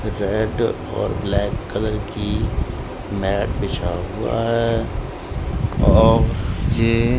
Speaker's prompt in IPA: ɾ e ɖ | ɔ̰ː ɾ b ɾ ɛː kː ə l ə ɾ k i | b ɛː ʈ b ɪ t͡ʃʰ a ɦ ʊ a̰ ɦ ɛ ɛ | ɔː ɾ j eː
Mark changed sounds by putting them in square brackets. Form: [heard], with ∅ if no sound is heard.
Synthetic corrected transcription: ɾ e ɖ | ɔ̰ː ɾ b [l] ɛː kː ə l ə ɾ k i | [m] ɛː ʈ b ɪ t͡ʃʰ a ɦ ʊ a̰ ɦ ɛ ɛ | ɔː ɾ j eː